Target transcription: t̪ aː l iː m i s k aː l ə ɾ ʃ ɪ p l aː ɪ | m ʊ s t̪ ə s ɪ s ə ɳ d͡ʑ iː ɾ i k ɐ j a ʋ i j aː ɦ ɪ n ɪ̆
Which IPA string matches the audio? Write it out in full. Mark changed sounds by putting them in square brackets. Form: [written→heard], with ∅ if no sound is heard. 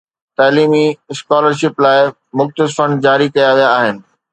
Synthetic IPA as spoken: t̪ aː l iː m i s k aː l ə ɾ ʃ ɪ p l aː ɪ | m ʊ [s→x] t̪ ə s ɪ [s→f] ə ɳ d͡ʑ [iː→aː] ɾ i k ɐ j a ʋ i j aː ɦ ɪ n ɪ̆